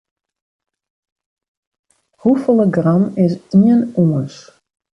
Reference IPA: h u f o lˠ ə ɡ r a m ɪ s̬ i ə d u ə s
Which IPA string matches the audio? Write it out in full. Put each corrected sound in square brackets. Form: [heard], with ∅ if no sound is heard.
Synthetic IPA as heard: h u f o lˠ ə ɡ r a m ɪ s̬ i ə [n] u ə s